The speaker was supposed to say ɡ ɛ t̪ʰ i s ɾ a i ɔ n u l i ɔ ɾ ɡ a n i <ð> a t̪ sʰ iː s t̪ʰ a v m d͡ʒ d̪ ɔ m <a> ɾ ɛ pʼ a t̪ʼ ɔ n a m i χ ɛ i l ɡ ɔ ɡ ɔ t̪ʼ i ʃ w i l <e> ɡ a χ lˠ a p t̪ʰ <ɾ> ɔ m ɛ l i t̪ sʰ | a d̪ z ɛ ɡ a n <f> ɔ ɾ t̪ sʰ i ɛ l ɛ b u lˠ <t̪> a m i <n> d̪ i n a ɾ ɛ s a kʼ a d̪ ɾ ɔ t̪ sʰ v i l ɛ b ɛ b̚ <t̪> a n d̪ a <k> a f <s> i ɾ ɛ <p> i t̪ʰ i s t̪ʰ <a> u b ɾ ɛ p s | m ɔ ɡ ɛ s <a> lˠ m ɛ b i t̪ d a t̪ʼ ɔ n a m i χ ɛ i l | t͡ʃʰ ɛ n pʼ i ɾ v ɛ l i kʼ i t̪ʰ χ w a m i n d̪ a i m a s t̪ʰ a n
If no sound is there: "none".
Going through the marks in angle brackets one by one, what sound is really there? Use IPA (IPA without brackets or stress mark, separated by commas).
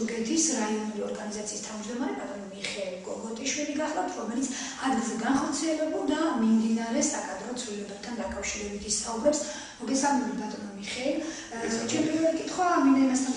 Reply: z, a, i, ɾ, χ, d̪, m, t̪ʰ, kʼ, ʃ, b, a, a